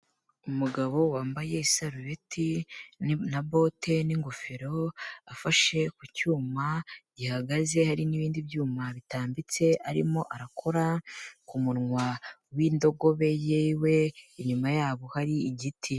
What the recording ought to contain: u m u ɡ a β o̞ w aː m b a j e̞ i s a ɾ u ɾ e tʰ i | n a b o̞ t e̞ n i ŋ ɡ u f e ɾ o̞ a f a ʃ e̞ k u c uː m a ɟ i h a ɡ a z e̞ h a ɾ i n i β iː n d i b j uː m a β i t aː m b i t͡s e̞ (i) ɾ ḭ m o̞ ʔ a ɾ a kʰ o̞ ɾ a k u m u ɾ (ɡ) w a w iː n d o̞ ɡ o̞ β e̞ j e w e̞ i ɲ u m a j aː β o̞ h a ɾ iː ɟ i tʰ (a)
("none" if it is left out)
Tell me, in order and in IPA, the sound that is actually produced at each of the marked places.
a, ŋ, i

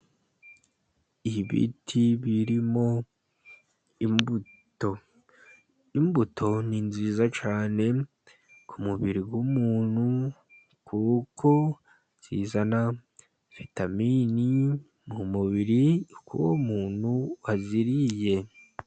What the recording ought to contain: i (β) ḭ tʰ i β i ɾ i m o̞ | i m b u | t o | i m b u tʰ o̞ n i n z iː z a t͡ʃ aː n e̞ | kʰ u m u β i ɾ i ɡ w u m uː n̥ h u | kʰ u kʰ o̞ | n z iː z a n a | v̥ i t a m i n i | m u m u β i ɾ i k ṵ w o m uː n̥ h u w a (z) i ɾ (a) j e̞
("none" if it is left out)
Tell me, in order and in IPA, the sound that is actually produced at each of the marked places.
β, z, i

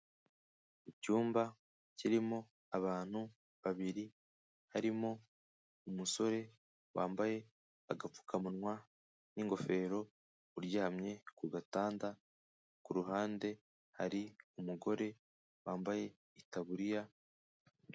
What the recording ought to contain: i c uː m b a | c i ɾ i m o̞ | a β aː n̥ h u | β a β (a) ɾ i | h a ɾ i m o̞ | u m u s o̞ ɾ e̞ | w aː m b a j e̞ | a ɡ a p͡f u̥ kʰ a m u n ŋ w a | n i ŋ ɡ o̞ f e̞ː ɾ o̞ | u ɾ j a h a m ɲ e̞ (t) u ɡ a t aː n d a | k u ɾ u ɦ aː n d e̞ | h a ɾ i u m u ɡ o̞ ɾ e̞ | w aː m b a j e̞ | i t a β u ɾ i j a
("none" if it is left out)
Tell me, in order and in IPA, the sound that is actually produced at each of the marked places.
i, k

